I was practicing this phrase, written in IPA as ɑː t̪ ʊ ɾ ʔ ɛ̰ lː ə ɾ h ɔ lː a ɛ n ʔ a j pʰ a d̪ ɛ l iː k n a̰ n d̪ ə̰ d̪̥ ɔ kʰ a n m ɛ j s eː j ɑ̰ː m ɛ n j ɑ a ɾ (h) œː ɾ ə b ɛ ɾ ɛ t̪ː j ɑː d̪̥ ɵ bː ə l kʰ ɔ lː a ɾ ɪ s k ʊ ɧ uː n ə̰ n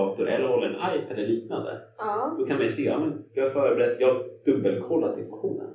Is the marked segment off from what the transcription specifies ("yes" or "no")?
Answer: yes